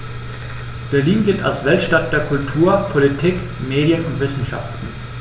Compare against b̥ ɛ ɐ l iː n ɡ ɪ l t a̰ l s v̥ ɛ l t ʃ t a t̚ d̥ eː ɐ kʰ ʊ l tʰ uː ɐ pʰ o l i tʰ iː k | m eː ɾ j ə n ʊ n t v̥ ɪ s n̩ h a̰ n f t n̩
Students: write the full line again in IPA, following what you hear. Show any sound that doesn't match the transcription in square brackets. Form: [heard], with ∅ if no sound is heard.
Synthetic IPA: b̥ ɛ ɐ l iː n ɡ ɪ l t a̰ l s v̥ ɛ l t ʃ t a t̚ d̥ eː ɐ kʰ ʊ l tʰ uː ɐ pʰ o l i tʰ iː k | m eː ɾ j ə n ʊ n t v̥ ɪ s n̩ [ʃ] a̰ [∅] f t n̩